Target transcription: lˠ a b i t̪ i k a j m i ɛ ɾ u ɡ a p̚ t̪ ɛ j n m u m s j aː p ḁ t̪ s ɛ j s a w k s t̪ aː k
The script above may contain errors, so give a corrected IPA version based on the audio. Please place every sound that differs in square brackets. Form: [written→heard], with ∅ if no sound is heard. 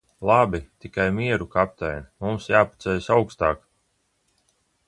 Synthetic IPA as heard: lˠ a b i t̪ i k a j m i ɛ ɾ u [ɡ→k] a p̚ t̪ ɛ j n m u m s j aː p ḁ t̪ s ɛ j s a w k s t̪ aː k